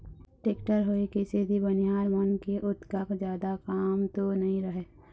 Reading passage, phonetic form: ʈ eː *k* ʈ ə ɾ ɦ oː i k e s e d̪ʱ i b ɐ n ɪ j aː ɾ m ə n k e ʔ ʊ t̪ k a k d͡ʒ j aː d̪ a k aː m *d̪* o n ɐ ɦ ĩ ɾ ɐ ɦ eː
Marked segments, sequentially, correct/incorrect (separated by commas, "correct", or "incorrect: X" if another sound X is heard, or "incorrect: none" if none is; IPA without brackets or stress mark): correct, incorrect: t̪